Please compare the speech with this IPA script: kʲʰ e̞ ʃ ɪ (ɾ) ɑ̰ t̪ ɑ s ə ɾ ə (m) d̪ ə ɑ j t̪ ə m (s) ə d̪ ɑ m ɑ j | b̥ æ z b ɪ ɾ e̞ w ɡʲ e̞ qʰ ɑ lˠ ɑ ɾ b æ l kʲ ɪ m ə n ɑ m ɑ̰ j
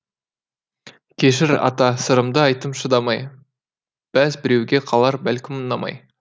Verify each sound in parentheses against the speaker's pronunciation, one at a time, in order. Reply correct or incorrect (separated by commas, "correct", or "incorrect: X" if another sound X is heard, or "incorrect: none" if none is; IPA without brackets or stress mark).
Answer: correct, correct, incorrect: ʃ